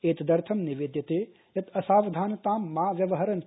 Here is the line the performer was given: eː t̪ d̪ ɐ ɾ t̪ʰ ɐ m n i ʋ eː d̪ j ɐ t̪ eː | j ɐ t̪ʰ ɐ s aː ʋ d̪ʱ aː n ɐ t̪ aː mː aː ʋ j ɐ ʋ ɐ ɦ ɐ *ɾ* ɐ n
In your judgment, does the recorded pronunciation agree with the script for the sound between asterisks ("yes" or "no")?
yes